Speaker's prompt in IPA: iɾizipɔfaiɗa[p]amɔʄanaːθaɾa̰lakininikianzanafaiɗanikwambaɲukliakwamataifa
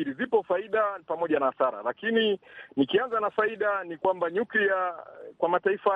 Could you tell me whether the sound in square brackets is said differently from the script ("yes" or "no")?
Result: no